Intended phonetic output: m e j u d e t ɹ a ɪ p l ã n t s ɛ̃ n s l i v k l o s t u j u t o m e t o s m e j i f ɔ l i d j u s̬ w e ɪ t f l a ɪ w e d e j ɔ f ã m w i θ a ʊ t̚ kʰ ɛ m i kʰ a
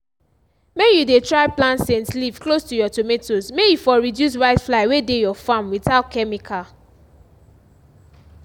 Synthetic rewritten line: m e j u d e t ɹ a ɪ p l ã n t s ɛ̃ n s l i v k l o s t u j ɔ t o m e t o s m e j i f ɔ ɹ i d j u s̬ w a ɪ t f l a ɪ w e d e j ɔ f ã m w i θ a ʊ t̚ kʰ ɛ m i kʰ a